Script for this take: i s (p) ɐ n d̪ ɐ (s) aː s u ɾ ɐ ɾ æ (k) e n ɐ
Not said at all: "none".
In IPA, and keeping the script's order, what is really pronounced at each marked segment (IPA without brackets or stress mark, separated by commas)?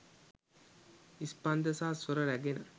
p, s, ɡ